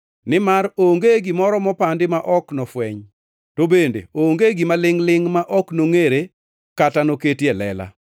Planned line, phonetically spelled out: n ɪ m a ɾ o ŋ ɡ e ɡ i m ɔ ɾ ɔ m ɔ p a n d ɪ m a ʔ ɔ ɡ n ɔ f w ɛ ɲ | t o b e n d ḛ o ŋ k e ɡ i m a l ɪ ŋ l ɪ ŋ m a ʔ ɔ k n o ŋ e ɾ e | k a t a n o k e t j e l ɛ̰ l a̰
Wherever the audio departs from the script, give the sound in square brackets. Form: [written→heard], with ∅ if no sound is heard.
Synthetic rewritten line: n ɪ m a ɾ o ŋ ɡ e ɡ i m ɔ ɾ ɔ m ɔ p a n d ɪ m a ʔ ɔ [ɡ→k] n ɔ f w ɛ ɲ | t o b e n d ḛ o ŋ [k→ɡ] e ɡ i m a l ɪ ŋ l ɪ ŋ m a ʔ ɔ k n o ŋ e ɾ e | k a t a n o k e t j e l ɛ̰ l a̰